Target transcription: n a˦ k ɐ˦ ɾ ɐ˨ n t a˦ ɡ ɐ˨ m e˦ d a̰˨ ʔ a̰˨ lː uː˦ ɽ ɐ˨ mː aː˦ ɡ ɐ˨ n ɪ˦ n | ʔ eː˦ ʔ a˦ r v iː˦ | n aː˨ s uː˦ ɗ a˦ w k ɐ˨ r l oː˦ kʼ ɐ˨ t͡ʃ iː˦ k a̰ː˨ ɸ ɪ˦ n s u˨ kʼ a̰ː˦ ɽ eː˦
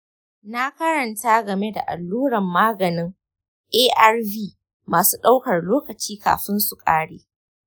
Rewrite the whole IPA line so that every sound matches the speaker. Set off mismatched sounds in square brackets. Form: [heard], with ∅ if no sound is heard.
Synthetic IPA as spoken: n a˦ k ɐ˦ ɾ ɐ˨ n t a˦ ɡ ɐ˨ m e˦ d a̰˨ ʔ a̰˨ lː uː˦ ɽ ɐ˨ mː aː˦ ɡ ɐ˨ n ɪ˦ [ŋ] | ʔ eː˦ ʔ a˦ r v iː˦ | [m] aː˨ s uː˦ ɗ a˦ w k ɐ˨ r l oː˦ [k] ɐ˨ t͡ʃ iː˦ k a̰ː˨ ɸ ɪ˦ n s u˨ kʼ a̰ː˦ ɽ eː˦